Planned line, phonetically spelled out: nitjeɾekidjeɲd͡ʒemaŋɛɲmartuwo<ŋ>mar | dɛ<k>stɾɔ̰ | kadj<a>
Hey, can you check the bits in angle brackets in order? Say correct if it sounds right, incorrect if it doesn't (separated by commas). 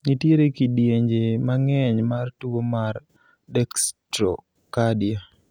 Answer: incorrect, correct, correct